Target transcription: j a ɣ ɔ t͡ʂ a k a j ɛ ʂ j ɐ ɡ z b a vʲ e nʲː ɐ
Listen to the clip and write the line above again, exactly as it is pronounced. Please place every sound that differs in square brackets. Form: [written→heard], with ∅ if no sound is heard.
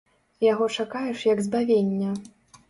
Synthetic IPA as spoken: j a ɣ ɔ t͡ʂ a k a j ɛ ʂ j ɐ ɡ z b a vʲ e nʲː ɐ